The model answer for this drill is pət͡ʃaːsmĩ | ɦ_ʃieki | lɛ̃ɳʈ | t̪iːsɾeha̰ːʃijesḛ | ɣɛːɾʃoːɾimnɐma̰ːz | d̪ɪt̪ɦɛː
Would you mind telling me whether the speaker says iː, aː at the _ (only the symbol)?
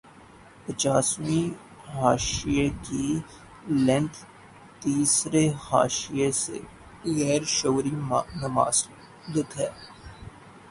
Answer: aː